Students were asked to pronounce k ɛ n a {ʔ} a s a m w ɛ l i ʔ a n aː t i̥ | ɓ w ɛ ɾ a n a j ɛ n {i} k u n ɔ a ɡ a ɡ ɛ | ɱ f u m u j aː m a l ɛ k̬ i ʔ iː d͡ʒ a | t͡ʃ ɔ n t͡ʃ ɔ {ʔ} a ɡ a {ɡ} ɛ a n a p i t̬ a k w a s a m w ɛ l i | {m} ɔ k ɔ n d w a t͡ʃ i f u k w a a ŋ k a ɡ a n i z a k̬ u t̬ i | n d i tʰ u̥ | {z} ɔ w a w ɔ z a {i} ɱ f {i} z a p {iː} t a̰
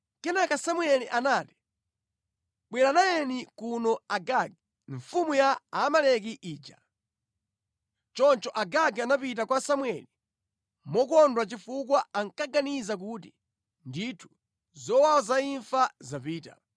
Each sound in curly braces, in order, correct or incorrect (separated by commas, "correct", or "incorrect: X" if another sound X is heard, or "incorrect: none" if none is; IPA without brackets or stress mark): incorrect: k, correct, correct, correct, correct, correct, correct, incorrect: a, correct